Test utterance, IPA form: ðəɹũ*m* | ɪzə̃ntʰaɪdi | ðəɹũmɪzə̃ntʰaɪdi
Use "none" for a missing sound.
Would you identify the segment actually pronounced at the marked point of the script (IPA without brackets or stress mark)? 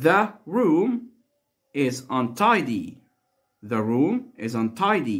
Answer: m